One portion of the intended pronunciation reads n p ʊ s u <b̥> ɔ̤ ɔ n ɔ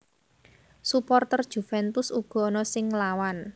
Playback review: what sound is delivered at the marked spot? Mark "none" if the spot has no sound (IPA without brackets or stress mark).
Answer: ɡ̥